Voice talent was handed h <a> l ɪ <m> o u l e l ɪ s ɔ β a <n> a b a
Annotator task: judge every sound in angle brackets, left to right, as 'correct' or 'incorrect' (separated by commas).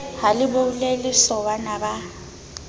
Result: correct, incorrect, correct